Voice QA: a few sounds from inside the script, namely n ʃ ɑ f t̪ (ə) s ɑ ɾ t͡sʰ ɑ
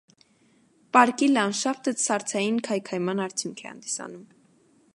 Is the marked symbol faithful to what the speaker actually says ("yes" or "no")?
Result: yes